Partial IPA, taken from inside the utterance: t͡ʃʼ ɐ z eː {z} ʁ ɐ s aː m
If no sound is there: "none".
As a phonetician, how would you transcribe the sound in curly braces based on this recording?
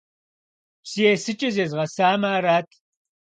z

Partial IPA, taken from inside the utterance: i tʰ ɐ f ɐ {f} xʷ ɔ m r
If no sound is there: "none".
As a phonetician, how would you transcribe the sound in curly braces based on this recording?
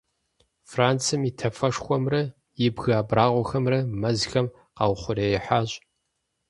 ʂ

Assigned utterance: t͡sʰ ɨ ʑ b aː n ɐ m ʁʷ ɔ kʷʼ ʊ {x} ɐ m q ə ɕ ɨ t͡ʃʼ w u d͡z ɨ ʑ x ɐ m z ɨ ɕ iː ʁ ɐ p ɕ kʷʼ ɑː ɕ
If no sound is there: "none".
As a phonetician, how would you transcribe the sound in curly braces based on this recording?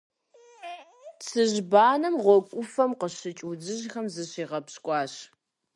f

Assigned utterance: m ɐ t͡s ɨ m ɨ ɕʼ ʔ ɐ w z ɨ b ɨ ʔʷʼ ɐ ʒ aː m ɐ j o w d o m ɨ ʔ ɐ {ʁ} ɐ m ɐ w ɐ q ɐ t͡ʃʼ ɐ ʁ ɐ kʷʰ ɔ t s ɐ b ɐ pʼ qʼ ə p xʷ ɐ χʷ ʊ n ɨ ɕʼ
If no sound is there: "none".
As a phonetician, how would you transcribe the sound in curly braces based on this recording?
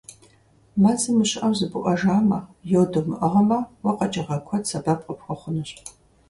ʁ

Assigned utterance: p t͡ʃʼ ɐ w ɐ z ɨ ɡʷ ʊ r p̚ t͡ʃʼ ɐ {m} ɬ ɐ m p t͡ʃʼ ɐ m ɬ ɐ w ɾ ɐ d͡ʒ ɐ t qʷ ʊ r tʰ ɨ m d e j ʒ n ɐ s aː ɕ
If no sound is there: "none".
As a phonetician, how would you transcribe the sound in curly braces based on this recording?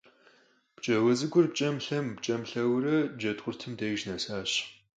m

